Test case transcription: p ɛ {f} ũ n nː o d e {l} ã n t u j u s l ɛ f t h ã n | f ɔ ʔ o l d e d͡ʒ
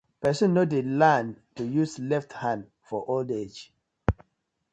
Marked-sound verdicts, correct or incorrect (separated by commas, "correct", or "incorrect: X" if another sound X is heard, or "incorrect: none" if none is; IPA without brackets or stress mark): incorrect: s, correct